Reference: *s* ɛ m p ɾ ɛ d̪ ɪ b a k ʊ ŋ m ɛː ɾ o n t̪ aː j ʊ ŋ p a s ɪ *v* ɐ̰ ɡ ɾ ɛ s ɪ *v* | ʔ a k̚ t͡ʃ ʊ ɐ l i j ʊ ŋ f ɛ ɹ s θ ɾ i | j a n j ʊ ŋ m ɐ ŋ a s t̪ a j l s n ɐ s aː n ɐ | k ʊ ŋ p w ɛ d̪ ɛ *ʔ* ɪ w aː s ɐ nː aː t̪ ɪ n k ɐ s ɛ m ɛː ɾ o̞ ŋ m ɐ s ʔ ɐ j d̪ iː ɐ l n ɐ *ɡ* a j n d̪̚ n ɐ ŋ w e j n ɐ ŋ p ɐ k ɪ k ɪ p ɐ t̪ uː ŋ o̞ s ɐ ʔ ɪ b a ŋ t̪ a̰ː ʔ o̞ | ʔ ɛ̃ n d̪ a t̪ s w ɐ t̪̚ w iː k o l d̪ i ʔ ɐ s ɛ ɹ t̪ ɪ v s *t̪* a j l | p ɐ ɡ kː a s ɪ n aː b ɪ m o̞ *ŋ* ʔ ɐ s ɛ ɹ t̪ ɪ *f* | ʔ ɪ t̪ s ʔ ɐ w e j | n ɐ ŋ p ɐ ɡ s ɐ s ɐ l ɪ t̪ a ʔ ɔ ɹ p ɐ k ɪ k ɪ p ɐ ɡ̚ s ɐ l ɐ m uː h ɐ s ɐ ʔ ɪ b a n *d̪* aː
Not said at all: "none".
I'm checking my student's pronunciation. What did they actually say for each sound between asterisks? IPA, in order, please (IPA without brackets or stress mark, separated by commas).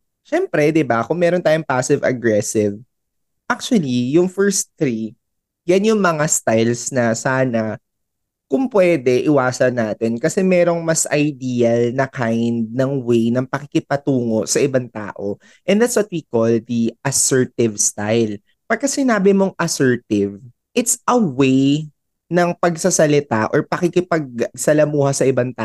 ʃ, v, v, ʔ, k, t̪, ŋ, v, t̪